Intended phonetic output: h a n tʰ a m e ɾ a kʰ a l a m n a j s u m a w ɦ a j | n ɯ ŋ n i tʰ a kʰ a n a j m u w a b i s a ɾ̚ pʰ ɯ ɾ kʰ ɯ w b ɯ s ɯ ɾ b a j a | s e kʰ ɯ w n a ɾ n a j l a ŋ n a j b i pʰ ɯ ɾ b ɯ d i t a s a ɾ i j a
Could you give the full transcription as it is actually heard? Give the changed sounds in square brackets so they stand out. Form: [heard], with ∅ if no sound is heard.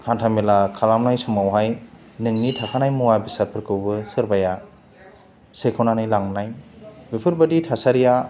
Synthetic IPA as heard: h a n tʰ a m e [l] a kʰ a l a m n a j s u m a w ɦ a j | n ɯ ŋ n i tʰ a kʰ a n a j m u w a b i s a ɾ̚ pʰ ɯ ɾ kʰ ɯ w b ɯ s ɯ ɾ b a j a | s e kʰ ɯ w n a [∅] n a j l a ŋ n a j b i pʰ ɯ ɾ b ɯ d i [tʰ] a s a ɾ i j a